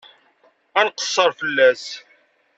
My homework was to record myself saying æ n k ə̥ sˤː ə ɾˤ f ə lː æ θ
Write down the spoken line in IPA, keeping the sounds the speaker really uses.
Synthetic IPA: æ n q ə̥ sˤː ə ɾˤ f ə lː æ s